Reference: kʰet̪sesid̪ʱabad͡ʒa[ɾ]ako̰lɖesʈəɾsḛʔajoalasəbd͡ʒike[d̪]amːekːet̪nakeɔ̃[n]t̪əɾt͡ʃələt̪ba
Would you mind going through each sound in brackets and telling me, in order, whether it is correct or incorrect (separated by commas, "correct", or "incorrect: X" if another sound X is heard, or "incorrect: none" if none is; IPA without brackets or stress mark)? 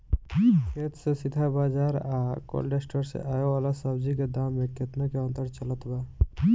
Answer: correct, correct, correct